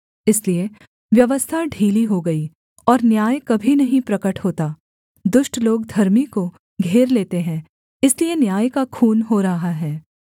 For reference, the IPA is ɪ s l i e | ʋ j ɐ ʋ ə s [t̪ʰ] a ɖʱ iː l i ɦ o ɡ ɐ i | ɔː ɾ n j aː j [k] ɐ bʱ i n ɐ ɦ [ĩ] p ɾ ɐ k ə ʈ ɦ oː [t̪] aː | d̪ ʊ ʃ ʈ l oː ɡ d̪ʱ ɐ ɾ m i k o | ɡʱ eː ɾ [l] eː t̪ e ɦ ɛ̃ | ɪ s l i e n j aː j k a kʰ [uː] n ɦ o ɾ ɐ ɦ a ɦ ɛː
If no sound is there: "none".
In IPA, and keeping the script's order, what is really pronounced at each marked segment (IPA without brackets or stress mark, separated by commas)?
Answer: t̪ʰ, k, ĩ, t̪, l, uː